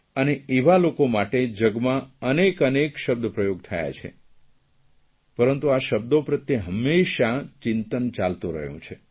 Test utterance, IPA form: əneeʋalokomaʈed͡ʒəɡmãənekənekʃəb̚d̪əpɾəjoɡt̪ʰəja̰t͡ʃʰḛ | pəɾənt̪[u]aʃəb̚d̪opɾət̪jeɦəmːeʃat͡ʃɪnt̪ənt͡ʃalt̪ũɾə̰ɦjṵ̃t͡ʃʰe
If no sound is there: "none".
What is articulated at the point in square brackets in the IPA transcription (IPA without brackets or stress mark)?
u